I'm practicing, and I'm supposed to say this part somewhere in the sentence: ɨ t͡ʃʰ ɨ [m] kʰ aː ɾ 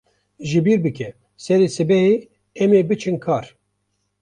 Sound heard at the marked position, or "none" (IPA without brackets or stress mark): n